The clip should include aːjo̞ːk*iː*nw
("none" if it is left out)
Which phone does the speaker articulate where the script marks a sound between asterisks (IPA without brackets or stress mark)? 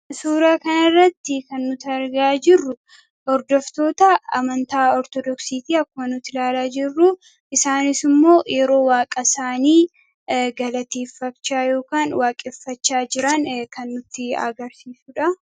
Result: aː